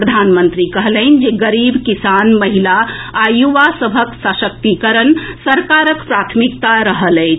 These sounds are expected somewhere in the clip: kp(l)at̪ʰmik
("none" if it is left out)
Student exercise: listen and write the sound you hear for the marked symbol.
ɾ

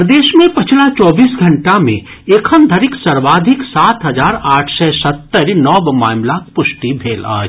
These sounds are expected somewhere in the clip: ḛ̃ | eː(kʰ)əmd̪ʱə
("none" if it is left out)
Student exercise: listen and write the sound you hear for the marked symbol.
kʰ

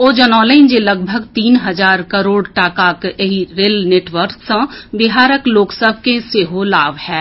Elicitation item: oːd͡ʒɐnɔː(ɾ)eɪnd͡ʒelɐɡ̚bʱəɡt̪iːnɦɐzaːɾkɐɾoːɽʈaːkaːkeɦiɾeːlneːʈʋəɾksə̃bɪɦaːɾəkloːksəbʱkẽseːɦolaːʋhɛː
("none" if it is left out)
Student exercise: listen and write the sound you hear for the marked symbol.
l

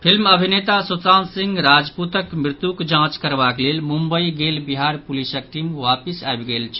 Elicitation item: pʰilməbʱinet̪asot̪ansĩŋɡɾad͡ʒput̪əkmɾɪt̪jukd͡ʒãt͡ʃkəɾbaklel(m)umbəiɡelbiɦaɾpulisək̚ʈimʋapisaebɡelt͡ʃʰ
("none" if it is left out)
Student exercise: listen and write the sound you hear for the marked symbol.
m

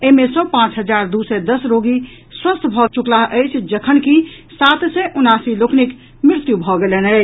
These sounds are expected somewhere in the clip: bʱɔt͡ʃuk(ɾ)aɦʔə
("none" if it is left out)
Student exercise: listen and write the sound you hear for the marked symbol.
l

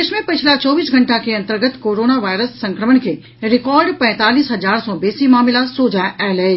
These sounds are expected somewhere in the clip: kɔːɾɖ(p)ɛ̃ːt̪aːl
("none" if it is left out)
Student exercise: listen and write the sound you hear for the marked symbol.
p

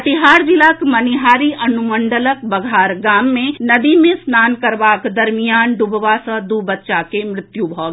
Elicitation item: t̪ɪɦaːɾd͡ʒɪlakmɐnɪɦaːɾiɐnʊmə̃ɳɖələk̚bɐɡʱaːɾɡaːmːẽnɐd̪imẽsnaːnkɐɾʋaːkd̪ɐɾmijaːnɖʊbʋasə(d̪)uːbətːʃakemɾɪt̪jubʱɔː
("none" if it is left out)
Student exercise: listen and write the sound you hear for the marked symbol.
d̪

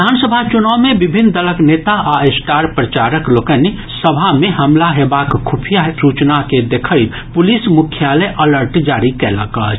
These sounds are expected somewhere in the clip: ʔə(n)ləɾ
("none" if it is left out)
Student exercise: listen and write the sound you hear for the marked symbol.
none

